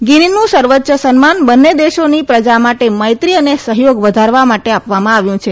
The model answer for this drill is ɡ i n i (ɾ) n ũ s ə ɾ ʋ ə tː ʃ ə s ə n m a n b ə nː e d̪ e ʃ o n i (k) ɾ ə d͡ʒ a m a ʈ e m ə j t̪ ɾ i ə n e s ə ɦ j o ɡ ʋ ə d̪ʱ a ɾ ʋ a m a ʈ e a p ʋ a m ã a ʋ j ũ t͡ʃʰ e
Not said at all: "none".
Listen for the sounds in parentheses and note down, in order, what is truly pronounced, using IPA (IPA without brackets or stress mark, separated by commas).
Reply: none, p